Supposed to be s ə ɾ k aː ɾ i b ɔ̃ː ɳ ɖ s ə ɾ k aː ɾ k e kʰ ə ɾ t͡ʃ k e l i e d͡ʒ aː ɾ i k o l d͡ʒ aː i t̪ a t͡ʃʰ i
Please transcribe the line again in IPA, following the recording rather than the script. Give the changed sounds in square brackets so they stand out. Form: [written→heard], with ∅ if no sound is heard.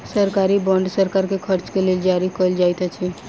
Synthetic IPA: s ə ɾ k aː ɾ i b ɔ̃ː ɳ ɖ s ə ɾ k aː ɾ k e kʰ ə ɾ t͡ʃ k e l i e d͡ʒ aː ɾ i k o l d͡ʒ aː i t̪ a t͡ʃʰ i